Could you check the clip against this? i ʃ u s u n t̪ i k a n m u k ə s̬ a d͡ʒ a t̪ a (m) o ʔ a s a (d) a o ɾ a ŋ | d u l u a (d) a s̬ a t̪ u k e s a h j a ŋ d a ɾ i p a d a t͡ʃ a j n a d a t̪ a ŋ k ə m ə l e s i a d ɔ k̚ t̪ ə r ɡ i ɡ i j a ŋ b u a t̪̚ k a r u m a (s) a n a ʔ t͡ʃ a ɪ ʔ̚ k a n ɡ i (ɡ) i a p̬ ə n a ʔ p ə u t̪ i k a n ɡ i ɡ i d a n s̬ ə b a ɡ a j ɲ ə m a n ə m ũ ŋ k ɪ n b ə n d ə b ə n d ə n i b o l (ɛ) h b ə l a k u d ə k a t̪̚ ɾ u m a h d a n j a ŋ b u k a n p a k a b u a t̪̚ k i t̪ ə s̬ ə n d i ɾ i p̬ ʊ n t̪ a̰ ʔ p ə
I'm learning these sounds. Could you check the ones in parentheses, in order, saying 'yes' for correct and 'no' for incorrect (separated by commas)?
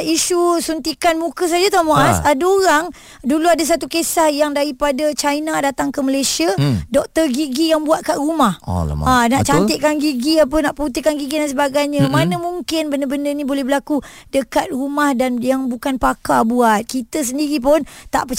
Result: yes, yes, yes, no, yes, yes